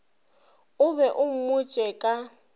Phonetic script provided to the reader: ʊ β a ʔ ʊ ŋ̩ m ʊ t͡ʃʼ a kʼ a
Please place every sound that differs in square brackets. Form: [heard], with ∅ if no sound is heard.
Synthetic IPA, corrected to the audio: ʊ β [ɛ] ʔ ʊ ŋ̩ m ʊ t͡ʃʼ [ɛ] kʼ a